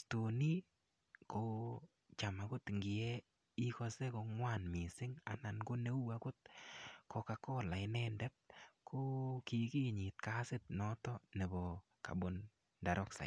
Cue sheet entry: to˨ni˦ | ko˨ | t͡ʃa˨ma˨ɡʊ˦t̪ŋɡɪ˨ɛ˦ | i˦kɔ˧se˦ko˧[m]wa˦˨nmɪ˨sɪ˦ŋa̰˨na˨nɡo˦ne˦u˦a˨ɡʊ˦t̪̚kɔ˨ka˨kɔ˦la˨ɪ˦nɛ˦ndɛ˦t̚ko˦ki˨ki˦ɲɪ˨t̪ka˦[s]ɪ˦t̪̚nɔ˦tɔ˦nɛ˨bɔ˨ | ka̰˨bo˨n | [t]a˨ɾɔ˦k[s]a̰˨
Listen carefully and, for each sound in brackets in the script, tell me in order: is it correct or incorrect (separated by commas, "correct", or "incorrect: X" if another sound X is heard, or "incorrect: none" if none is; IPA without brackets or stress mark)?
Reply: incorrect: ŋ, correct, incorrect: d, correct